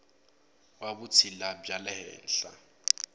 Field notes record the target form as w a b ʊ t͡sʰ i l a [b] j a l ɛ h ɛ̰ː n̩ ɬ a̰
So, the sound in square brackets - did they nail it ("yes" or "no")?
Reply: yes